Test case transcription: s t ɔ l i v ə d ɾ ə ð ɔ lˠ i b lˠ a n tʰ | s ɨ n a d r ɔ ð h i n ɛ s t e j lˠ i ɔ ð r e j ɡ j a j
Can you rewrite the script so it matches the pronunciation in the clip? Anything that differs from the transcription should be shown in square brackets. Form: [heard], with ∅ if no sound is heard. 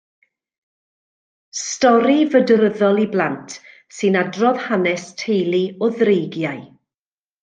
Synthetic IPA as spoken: s t ɔ [ɾ] i v ə d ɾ ə ð ɔ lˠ i b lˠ a n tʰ | s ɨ n a d r ɔ ð h [a] n ɛ s [tʰ] e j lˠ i ɔ ð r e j ɡ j a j